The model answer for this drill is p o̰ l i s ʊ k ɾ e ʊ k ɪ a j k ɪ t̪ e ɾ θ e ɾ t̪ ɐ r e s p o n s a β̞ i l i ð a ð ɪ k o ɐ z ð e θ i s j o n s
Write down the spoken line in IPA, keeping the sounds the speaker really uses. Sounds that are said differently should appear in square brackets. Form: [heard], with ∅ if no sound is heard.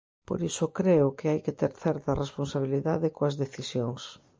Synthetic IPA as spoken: p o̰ [ɾ] i s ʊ k ɾ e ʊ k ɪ a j k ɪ t̪ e ɾ θ [ɛ] ɾ t̪ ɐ r e s p o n s a β̞ i l i ð a ð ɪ k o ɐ z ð e θ i s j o [ŋ] s